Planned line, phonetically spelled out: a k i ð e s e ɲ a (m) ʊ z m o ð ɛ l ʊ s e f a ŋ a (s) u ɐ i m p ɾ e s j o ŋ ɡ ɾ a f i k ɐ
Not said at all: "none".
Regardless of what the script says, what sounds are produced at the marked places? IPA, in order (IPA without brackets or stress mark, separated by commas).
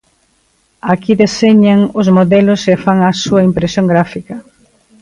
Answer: ŋ, s